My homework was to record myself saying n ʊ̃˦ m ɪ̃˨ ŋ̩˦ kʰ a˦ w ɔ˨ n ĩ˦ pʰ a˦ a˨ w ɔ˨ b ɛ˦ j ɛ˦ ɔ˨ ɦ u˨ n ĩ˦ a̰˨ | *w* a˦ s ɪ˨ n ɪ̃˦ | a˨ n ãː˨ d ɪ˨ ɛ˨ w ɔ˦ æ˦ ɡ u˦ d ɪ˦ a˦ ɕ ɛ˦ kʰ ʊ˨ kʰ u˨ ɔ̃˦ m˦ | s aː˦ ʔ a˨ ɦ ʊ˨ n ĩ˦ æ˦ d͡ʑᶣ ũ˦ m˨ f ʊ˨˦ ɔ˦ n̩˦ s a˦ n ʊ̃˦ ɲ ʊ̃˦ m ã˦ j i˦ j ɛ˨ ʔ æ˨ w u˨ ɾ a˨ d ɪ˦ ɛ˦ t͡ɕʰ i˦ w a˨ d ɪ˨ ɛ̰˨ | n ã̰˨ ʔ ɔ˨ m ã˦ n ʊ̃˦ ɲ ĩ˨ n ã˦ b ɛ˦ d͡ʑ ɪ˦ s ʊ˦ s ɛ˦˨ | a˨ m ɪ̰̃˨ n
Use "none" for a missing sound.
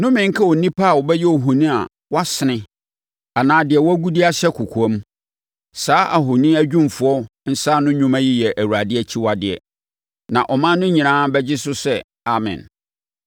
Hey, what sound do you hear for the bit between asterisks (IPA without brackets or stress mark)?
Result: w